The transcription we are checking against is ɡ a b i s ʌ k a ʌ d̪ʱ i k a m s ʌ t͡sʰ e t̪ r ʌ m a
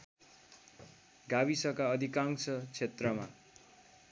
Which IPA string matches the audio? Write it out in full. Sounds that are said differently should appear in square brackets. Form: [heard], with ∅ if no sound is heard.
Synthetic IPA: ɡ a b i s ʌ k a ʌ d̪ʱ i k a [ŋ] s ʌ t͡sʰ e t̪ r ʌ m a